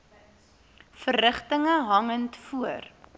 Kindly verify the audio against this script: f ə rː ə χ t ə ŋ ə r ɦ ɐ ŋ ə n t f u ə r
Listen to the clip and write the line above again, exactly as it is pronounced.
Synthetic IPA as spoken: f ə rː ə χ t ə ŋ ə ɦ ɐ ŋ ə n t f u ə r